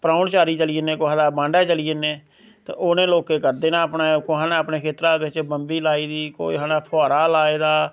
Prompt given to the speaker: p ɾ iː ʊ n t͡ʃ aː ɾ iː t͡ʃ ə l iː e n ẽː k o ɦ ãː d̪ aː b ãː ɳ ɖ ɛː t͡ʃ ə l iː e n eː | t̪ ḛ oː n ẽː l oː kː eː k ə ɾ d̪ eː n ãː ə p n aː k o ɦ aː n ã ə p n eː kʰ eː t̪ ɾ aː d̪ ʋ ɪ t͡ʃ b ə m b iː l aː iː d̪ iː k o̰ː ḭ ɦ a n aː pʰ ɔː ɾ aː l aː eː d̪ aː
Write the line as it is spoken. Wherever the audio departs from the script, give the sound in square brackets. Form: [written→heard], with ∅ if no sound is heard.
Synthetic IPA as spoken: p ɾ [iː→aː] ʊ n t͡ʃ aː ɾ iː t͡ʃ ə l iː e n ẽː k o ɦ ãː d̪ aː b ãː ɳ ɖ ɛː t͡ʃ ə l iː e n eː | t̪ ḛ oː n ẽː l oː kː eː k ə ɾ d̪ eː n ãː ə p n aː k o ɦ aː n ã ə p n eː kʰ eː t̪ ɾ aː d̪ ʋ ɪ t͡ʃ b ə m b iː l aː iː d̪ iː k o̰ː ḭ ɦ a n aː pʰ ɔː ɾ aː l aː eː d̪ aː